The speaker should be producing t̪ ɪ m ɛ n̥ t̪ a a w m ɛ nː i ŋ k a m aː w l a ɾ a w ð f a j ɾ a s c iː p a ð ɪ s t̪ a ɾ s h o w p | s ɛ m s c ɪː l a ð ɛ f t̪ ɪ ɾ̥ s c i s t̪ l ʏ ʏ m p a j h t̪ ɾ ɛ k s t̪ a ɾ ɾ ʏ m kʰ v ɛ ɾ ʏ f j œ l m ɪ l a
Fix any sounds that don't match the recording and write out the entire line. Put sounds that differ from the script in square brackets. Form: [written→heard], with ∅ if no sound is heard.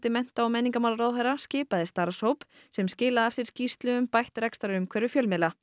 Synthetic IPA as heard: t̪ ɪ m ɛ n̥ t̪ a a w m ɛ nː i ŋ k a m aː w l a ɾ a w ð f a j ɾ a s c [iː→ɪː] p a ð ɪ s t̪ a ɾ s h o w p | s ɛ m s c ɪː l a ð ɛ f t̪ ɪ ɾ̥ s c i s t̪ l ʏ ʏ m p a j h t̪ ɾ ɛ k s t̪ a ɾ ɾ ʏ m kʰ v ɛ ɾ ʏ f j œ l m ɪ l a